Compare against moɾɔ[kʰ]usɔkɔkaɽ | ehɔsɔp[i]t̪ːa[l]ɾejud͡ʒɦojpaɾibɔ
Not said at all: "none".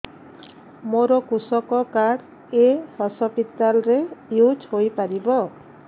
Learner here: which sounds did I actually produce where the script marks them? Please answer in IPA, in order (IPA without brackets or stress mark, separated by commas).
k, i, l